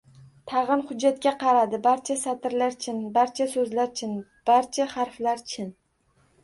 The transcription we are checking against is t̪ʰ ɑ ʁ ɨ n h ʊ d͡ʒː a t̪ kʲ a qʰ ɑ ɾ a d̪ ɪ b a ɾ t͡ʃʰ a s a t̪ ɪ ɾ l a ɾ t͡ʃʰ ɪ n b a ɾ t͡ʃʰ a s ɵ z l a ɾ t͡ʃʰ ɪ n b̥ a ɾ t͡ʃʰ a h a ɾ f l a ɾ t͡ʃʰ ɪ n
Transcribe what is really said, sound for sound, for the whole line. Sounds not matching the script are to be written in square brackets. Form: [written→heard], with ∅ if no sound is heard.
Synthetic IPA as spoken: t̪ʰ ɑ ʁ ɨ n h ʊ d͡ʒː a t̪ kʲ a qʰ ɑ ɾ a d̪ ɪ b a ɾ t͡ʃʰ a s a t̪ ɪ ɾ l a ɾ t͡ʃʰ ɪ n b a ɾ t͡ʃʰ a s ɵ z l a ɾ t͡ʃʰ ɪ n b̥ a ɾ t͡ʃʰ a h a ɾ f l a ɾ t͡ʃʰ ɪ n